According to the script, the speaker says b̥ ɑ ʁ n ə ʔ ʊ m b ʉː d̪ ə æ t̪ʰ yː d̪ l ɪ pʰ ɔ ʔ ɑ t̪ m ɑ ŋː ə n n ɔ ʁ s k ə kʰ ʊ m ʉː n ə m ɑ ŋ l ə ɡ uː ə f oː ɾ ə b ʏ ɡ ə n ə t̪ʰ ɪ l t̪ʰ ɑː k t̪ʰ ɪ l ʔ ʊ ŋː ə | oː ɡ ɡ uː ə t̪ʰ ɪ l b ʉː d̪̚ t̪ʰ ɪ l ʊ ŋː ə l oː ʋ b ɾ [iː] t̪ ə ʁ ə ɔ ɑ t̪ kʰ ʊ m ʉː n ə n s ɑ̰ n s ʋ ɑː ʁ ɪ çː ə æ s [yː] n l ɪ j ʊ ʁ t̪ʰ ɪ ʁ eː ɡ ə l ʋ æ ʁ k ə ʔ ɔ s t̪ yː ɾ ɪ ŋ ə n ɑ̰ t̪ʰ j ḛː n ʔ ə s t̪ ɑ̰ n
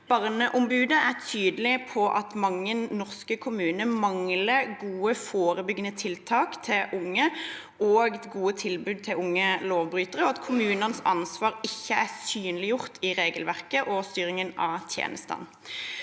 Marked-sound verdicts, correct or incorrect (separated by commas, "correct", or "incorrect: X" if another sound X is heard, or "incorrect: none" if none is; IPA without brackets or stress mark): incorrect: yː, correct